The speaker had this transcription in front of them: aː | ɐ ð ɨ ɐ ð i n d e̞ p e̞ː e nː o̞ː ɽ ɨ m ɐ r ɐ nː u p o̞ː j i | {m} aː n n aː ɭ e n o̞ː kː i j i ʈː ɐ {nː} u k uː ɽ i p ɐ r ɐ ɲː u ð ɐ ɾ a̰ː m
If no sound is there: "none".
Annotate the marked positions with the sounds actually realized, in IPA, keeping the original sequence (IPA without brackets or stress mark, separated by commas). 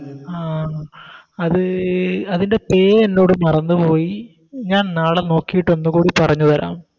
ɲ, nː